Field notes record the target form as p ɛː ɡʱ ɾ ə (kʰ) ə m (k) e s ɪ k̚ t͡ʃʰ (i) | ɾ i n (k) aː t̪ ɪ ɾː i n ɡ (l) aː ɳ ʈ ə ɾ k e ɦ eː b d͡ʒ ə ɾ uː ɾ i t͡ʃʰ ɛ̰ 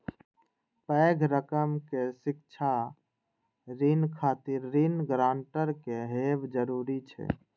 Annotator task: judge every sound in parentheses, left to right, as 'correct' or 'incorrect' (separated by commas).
incorrect, correct, incorrect, incorrect, incorrect